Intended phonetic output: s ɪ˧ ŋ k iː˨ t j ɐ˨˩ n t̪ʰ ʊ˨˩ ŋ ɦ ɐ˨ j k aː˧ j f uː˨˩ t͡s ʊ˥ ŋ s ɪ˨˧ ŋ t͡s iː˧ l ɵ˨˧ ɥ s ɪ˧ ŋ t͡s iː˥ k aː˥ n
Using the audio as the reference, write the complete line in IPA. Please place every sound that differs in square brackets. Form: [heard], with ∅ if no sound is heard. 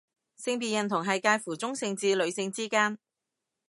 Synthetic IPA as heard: s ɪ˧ ŋ [p] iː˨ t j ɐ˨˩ n t̪ʰ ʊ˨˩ ŋ ɦ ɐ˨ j k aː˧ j f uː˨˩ t͡s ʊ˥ ŋ s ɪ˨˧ ŋ t͡s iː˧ l ɵ˨˧ ɥ s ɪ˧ ŋ t͡s iː˥ k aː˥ n